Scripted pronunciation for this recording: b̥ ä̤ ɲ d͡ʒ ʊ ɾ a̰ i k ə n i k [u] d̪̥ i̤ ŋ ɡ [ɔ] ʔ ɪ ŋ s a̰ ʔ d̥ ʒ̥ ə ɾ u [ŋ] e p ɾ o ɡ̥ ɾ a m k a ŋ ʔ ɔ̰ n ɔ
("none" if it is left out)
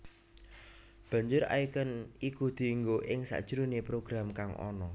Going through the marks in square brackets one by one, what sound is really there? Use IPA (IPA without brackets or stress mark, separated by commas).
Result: u, o, n